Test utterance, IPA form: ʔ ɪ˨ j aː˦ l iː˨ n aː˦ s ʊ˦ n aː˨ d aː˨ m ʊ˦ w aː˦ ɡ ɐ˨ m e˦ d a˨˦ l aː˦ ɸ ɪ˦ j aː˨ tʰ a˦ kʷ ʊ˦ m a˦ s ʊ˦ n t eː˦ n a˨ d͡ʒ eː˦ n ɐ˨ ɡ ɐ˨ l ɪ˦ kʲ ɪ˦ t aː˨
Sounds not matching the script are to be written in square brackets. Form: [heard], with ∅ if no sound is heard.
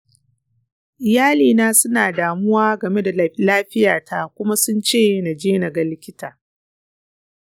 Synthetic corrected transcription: ʔ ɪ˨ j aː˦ l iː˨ n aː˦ s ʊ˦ n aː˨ d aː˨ m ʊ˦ w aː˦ ɡ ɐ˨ m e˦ d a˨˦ l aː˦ ɸ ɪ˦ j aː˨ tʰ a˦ kʷ ʊ˦ m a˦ s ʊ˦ n [t͡ʃ] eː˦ n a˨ d͡ʒ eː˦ n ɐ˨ ɡ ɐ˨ l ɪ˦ kʲ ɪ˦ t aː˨